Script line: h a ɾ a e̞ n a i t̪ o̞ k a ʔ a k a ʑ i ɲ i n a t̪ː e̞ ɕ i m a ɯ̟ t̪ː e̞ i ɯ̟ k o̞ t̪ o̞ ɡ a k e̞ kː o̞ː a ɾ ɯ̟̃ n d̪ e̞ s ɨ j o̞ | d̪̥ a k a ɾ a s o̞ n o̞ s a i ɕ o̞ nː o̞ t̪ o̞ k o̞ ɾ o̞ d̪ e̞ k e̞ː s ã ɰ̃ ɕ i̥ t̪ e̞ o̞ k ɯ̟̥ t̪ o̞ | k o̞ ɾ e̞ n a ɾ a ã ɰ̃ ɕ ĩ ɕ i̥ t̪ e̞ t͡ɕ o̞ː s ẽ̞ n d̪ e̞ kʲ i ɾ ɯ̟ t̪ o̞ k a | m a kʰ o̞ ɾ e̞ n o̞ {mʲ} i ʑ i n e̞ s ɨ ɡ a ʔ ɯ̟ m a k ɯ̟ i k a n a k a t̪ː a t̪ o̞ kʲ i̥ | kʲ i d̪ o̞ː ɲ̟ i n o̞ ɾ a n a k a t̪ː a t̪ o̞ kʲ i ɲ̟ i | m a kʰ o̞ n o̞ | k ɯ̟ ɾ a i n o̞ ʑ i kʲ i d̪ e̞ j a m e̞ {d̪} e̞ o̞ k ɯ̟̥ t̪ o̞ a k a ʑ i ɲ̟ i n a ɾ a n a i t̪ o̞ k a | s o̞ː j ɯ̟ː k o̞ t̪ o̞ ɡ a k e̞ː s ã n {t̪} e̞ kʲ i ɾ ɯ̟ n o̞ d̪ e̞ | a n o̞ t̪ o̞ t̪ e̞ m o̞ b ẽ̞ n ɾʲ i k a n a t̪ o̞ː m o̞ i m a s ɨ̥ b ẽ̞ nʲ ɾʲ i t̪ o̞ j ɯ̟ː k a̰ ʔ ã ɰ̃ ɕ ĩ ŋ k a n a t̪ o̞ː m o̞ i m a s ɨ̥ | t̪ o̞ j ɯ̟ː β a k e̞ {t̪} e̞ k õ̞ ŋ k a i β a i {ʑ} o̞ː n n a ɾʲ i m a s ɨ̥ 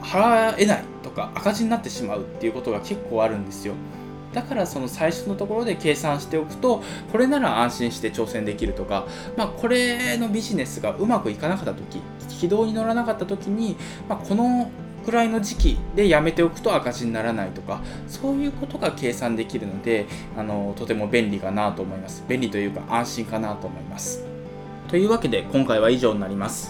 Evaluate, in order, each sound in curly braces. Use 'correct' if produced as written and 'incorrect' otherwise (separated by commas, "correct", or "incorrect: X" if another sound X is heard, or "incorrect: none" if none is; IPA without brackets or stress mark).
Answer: incorrect: bʲ, incorrect: t̪, incorrect: d̪, incorrect: d̪, correct